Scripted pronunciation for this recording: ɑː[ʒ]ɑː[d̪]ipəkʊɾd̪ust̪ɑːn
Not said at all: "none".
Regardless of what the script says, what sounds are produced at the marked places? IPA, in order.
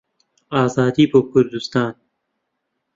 z, d̪

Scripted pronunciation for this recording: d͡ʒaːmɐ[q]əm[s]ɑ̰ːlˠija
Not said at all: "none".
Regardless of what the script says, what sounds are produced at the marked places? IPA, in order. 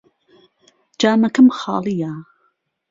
k, x

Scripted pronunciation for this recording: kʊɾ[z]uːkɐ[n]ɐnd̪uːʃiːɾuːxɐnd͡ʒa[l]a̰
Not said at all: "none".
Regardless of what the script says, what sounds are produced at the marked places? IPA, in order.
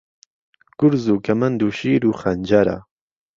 z, m, ɾ

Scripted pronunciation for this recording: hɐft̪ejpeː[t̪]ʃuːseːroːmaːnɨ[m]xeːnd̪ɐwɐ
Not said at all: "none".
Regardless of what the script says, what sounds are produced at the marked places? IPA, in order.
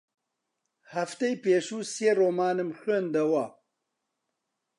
none, m

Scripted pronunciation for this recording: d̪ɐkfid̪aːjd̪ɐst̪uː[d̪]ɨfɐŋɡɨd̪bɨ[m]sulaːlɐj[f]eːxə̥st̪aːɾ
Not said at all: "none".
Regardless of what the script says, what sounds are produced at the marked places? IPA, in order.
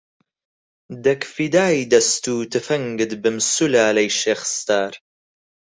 t̪, m, ʃ

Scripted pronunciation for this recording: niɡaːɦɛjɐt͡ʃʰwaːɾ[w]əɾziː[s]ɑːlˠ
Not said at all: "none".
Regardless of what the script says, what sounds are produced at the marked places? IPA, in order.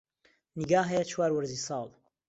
w, s

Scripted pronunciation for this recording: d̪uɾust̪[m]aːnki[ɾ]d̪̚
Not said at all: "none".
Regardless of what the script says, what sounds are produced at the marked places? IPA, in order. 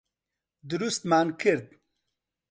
m, ɾ

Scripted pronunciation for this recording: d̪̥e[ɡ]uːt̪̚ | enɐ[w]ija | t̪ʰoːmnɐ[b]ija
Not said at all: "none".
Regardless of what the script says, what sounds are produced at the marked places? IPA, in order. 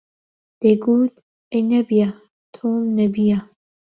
ɡ, b, b

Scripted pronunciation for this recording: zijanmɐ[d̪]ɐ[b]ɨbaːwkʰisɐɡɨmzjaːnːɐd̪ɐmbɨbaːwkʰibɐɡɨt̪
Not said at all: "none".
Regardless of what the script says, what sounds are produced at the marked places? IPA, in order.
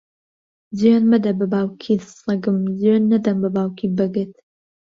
d̪, b

